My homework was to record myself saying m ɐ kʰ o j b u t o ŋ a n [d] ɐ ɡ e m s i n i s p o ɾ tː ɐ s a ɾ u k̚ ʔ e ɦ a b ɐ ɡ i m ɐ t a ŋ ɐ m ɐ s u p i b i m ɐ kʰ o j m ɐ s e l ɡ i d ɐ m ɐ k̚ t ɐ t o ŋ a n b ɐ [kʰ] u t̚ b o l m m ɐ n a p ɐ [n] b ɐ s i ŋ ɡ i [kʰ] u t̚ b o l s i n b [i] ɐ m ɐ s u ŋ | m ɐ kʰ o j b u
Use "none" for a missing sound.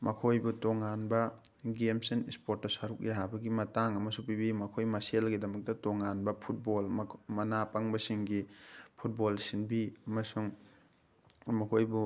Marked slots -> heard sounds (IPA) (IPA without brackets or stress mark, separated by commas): b, pʰ, ŋ, pʰ, i